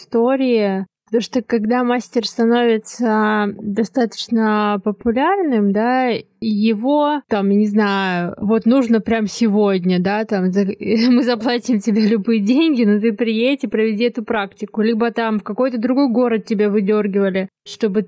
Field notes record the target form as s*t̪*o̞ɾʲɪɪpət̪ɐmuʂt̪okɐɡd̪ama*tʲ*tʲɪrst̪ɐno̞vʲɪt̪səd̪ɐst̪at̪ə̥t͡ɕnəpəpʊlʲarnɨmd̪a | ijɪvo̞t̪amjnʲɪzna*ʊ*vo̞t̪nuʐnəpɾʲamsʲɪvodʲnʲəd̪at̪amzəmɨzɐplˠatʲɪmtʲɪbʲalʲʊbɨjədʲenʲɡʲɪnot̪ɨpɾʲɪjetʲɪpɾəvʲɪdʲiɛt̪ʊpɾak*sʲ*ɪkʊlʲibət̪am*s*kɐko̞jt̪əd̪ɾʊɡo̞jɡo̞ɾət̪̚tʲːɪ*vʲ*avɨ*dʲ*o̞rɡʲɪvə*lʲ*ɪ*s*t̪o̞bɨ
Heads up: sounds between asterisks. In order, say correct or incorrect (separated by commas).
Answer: correct, incorrect, correct, incorrect, incorrect, incorrect, correct, correct, incorrect